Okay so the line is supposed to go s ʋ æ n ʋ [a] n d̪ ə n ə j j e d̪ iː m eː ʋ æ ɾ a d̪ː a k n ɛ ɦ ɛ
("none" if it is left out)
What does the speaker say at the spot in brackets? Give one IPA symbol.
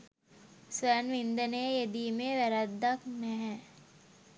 i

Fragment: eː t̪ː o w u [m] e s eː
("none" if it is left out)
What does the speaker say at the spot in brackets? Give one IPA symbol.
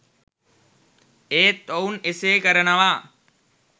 n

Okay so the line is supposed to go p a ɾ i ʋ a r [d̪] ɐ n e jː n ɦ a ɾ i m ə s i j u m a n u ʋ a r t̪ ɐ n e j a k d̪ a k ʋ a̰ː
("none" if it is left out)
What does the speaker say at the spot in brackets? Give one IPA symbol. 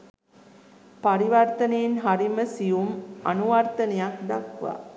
t̪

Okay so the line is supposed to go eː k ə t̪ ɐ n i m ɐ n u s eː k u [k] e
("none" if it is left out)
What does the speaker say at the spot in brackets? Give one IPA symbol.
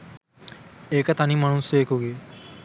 ɡ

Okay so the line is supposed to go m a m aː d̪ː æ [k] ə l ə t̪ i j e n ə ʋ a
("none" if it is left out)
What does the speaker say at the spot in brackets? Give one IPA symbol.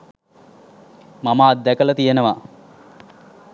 k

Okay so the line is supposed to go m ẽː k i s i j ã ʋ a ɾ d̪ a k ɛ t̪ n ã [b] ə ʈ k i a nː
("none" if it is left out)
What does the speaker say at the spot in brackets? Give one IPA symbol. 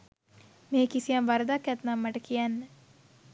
m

